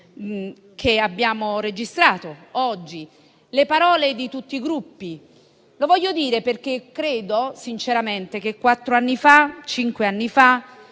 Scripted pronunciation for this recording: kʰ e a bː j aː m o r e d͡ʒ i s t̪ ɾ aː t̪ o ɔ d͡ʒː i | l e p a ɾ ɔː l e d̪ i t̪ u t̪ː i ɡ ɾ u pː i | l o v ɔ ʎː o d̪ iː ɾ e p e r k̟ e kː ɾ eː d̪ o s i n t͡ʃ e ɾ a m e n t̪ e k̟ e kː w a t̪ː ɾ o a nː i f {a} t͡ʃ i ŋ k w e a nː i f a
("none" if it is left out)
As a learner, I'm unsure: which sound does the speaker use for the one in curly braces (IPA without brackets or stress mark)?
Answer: a